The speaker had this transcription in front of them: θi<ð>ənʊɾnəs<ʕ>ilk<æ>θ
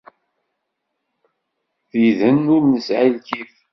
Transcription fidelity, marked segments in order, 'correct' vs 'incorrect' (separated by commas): correct, correct, incorrect